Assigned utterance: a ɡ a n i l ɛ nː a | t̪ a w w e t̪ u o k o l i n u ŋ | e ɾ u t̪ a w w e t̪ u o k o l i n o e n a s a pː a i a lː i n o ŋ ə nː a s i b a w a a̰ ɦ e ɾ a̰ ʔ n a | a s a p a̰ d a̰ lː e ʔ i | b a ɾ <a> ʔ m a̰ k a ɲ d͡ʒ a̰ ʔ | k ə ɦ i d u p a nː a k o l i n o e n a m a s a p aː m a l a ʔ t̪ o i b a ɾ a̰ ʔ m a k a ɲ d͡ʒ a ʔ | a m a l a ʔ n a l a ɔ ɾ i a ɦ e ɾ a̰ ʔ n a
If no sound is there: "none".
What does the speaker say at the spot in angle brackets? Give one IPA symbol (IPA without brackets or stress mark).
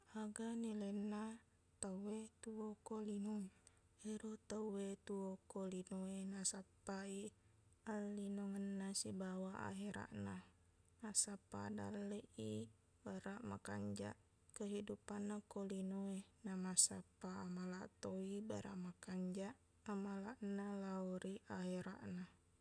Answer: a